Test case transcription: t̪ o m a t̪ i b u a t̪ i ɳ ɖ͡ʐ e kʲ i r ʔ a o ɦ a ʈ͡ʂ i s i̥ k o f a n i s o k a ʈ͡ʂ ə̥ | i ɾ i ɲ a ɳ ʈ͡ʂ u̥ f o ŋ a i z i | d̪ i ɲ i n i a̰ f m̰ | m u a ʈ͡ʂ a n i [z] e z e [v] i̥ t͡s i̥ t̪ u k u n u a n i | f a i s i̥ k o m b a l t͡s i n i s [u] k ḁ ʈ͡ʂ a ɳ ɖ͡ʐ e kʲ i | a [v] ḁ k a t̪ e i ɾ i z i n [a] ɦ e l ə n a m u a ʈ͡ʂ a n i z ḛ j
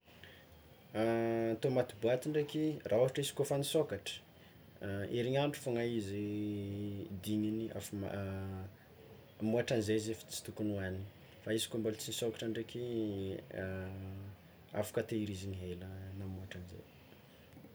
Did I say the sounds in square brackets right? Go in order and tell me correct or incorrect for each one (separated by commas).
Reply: correct, incorrect, incorrect, incorrect, incorrect